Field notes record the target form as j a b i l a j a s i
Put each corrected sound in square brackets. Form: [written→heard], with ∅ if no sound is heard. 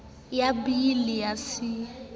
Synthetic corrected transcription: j a b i l [a→i] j a s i

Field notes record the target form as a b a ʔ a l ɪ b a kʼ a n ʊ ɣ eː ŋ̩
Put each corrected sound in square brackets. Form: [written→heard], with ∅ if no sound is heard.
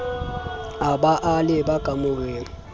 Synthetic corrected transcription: a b a ʔ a l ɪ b a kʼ a [n→m] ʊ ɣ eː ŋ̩

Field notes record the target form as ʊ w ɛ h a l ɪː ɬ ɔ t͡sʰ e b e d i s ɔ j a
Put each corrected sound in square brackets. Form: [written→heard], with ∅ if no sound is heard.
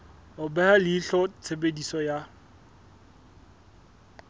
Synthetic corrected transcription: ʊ [w→b] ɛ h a l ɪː ɬ ɔ t͡sʰ e b e d i s ɔ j a

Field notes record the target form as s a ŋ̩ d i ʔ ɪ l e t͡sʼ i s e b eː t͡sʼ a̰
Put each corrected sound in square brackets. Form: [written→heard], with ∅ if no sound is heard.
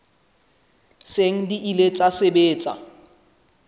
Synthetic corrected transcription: s [a→e] ŋ̩ d i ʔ [ɪ→i] l e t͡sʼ [i→a] s e b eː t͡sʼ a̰

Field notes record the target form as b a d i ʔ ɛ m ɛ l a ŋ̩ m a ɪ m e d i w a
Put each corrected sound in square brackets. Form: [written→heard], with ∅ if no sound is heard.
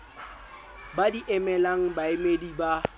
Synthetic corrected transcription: b a d i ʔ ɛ m ɛ l a ŋ̩ [m→b] a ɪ m e d i [w→b] a

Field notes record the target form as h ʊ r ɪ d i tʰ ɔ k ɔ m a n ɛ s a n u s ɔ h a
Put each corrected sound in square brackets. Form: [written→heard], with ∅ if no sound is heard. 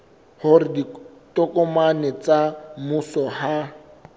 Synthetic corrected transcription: h ʊ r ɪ d i [tʰ→t] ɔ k ɔ m a n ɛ [s→t͡s] a [n→m] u s ɔ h a

